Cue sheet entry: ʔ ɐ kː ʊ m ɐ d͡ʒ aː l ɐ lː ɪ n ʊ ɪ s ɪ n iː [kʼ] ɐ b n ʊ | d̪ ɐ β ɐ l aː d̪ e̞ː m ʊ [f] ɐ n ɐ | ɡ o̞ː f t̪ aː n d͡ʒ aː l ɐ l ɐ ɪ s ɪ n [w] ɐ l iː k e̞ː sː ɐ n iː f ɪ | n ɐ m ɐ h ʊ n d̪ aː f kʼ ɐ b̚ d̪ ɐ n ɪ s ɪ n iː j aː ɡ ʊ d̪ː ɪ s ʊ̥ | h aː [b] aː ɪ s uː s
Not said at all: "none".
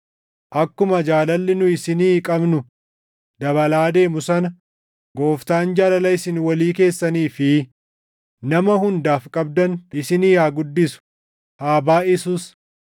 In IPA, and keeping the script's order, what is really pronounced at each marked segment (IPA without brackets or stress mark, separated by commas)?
kʼ, s, w, b